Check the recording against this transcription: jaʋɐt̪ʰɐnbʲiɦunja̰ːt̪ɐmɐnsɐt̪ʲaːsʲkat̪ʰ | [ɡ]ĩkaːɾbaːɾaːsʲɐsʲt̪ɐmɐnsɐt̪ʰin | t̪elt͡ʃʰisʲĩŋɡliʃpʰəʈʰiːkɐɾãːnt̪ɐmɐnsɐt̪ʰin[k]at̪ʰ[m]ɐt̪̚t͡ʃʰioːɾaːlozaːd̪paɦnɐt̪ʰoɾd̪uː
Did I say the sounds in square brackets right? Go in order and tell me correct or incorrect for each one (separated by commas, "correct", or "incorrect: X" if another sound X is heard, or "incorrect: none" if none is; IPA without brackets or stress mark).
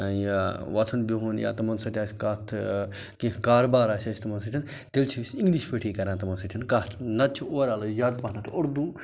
incorrect: k, correct, incorrect: n